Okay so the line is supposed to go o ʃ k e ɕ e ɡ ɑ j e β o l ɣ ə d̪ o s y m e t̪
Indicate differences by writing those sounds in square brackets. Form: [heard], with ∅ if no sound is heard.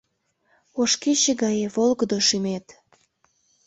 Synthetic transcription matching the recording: o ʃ k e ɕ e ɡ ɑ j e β o l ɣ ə d̪ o [ʃ] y m e t̪

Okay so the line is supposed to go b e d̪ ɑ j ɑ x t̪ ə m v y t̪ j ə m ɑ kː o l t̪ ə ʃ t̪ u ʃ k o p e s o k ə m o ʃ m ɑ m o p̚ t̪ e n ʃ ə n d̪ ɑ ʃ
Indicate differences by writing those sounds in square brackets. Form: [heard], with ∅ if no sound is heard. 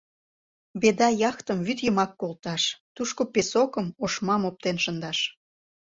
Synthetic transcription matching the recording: b e d̪ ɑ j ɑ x t̪ ə m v y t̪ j ə m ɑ kː o l t̪ [ɑ] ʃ t̪ u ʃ k o p e s o k ə m o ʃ m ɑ m o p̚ t̪ e n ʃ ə n d̪ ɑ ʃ

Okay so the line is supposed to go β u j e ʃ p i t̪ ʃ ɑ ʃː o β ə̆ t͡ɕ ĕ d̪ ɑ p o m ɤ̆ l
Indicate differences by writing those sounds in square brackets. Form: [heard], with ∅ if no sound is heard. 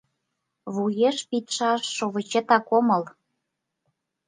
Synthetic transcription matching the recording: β u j e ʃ p i t̪ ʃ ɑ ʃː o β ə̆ t͡ɕ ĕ [t̪] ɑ [k] o m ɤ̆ l

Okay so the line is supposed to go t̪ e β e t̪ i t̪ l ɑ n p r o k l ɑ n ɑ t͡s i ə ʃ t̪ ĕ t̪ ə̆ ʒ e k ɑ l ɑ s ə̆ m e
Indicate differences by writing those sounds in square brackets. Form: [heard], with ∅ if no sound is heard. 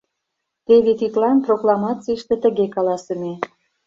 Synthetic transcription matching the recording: t̪ e β e t̪ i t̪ l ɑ n p r o k l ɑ [m] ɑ t͡s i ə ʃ t̪ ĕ t̪ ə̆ [ɣ] e k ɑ l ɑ s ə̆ m e

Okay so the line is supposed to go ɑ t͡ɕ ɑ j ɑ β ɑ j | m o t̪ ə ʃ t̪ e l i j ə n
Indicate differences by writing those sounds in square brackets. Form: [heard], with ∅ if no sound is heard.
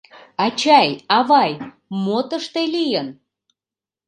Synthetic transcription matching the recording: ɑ t͡ɕ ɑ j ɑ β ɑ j | m o t̪ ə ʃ t̪ e l i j ə n

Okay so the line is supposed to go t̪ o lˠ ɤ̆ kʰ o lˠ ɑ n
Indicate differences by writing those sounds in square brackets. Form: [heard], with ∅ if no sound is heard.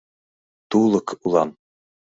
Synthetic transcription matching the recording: t̪ [u] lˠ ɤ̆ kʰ [u] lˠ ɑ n

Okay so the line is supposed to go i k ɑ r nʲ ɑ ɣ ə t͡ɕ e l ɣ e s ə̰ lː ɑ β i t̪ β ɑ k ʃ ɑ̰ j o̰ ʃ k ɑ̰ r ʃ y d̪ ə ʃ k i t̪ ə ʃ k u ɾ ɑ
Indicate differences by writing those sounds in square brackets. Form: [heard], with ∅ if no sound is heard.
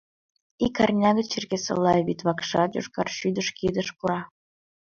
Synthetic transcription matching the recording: i k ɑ r nʲ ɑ ɣ ə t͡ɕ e [r] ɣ e s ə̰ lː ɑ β i t̪ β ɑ k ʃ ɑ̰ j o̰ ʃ k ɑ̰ r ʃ y d̪ ə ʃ k i [d̪] ə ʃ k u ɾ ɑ

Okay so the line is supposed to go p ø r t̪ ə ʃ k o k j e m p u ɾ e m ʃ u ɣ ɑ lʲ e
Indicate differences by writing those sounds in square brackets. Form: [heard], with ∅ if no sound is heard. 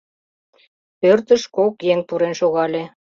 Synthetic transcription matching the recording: p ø r t̪ ə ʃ k o k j e [ŋ] p u ɾ e [n] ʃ [o] ɣ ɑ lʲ e

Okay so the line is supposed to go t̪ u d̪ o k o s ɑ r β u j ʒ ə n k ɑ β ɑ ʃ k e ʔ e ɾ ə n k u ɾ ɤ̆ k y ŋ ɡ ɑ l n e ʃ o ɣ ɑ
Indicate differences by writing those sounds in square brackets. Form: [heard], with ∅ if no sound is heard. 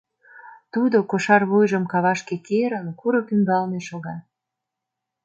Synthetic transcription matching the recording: t̪ u d̪ o k o [ʃ] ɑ r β u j ʒ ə [m] k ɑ β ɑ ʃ k e [k] e ɾ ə n k u ɾ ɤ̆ k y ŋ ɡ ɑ l n e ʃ o ɣ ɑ

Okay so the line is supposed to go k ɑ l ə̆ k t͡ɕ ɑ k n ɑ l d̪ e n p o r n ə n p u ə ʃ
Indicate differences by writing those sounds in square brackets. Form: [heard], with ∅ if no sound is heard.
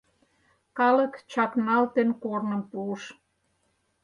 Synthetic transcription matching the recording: k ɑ l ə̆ k t͡ɕ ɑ k n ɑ l [t̪] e n [k] o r n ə [m] p u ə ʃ

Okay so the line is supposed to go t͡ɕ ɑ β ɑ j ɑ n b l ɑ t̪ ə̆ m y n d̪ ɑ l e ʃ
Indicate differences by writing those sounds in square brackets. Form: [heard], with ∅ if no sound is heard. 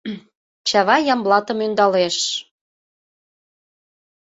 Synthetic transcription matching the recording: t͡ɕ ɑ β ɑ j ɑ [m] b l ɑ t̪ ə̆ m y n d̪ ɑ l e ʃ

